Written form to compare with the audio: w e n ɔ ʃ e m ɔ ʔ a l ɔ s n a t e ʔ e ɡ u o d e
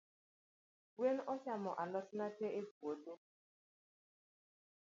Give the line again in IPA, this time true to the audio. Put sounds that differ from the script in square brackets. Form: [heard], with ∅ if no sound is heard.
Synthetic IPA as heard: w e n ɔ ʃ [a] m ɔ ʔ a l ɔ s n a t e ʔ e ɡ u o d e